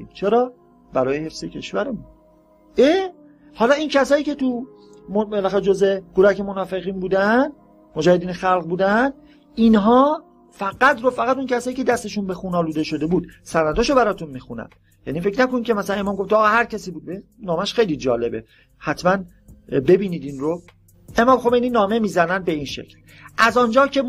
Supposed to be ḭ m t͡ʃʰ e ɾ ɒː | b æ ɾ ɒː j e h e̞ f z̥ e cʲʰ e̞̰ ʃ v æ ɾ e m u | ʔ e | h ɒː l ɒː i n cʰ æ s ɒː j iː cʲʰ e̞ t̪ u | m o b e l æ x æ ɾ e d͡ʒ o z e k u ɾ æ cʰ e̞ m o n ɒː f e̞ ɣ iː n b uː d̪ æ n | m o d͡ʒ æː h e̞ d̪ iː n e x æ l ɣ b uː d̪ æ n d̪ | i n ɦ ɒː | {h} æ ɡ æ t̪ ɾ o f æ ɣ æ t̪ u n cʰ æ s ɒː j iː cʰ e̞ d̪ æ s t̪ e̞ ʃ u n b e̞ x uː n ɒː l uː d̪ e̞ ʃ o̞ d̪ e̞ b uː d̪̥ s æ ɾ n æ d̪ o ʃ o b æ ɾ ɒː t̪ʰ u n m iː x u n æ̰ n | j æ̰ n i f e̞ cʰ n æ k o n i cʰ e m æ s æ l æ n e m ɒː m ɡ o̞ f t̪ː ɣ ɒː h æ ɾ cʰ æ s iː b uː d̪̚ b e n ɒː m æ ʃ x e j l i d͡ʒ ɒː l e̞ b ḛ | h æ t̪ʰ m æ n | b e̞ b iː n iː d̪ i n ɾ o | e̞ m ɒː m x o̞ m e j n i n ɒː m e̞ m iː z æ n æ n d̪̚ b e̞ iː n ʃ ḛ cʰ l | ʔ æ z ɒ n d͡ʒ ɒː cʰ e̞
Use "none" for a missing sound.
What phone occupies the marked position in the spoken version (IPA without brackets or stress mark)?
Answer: f